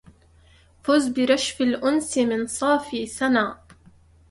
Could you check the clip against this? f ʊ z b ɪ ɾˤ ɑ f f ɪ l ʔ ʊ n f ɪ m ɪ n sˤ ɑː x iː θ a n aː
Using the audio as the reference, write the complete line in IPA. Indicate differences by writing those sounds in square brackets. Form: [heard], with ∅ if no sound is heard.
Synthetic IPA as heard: f ʊ z b ɪ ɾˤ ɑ [ʃ] f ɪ l ʔ ʊ n [s] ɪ m ɪ n sˤ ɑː [f] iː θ a n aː